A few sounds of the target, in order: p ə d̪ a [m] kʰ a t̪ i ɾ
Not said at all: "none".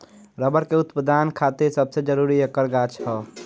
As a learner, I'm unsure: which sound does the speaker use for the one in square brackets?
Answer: n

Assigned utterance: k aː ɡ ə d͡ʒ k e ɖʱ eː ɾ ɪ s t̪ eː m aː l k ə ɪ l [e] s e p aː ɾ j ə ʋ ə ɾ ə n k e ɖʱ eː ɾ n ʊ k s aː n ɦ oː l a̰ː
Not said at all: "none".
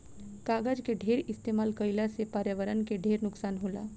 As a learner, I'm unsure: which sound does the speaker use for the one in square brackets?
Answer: a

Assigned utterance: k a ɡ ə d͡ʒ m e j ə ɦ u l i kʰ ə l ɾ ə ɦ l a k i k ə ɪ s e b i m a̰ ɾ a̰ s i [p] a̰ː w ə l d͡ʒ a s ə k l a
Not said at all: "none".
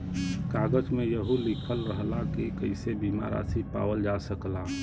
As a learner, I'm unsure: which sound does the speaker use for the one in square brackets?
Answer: p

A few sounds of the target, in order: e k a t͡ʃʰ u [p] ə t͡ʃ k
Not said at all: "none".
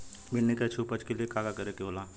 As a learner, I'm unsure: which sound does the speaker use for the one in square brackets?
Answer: p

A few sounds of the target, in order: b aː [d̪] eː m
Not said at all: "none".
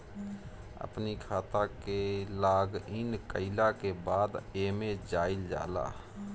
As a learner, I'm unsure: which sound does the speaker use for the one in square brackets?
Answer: d̪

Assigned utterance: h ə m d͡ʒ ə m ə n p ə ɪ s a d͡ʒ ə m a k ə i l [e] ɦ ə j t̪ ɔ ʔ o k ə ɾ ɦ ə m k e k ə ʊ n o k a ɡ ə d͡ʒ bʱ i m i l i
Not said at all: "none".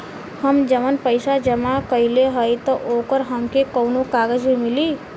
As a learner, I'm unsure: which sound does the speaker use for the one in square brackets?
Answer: e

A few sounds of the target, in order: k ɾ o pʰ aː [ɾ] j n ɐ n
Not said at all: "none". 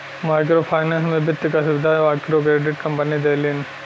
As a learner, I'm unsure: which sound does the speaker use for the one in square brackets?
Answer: none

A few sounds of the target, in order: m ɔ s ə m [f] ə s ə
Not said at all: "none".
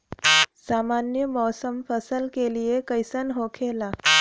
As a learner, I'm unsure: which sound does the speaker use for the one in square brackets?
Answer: f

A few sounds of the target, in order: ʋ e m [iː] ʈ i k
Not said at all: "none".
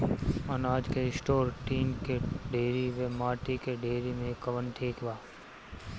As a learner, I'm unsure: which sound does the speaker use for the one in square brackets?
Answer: aː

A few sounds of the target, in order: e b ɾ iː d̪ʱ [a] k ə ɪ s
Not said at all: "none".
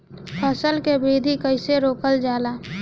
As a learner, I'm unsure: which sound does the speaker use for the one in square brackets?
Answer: i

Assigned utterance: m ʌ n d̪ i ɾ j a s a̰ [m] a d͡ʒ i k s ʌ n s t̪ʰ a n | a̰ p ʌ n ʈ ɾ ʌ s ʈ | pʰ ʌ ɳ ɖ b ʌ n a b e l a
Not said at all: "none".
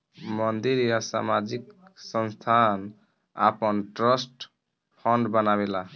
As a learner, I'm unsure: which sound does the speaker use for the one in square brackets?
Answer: m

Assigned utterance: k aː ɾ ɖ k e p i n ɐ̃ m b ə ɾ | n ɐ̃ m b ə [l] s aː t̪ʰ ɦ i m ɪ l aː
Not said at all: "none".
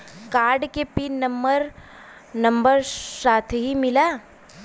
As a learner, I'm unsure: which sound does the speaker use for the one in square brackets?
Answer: ɾ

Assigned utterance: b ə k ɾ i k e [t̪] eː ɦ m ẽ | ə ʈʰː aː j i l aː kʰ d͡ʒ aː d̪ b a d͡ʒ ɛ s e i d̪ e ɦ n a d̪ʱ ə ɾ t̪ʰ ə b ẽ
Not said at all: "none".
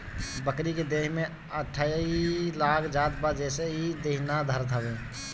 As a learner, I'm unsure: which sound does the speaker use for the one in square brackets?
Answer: d̪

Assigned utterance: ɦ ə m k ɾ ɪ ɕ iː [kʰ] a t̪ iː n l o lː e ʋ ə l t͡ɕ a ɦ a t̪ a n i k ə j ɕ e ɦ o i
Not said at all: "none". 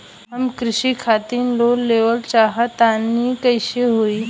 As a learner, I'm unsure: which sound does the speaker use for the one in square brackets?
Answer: kʰ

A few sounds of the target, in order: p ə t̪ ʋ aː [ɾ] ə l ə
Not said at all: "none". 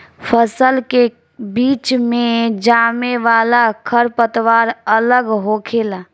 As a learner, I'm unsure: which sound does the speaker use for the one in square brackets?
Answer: ɾ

